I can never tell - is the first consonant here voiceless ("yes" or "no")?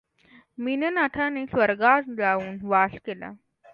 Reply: no